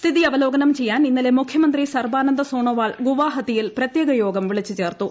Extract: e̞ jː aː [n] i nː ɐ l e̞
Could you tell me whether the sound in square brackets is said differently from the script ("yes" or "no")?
no